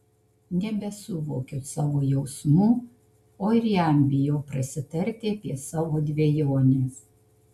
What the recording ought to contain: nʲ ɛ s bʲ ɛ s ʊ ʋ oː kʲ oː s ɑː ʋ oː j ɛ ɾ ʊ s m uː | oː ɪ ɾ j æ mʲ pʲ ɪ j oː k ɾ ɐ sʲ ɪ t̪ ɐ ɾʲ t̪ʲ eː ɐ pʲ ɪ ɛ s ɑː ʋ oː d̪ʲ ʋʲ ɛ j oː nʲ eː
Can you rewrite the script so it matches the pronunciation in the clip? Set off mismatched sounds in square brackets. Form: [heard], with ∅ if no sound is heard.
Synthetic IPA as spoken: nʲ ɛ [∅] bʲ ɛ s ʊ ʋ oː kʲ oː s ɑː ʋ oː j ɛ [∅] ʊ s m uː | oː ɪ ɾ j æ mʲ [bʲ] ɪ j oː [p] ɾ ɐ sʲ ɪ t̪ ɐ ɾʲ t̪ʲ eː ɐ pʲ [i] ɛ s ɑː ʋ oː d̪ʲ ʋʲ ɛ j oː nʲ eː